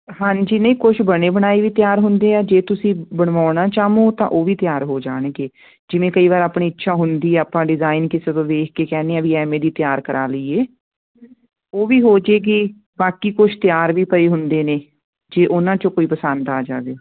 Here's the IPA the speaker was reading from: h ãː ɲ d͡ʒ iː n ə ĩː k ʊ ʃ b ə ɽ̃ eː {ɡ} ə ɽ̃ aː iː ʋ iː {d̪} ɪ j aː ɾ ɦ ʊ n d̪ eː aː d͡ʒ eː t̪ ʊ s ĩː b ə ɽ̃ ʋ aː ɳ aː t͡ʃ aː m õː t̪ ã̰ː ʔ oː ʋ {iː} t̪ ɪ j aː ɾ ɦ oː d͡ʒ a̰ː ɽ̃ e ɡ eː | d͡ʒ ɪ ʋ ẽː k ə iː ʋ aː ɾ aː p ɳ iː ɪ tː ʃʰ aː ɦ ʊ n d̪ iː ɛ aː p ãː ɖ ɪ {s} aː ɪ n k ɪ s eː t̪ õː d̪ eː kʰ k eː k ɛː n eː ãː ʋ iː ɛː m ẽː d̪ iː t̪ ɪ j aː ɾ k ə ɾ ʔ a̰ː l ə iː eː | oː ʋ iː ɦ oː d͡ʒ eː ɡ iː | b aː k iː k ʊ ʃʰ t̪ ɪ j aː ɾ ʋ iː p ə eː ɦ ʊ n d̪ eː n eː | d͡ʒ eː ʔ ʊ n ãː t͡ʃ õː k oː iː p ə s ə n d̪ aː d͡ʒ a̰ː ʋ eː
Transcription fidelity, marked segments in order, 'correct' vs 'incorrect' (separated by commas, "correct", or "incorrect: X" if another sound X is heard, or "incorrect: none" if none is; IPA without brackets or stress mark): incorrect: b, incorrect: t̪, correct, incorrect: z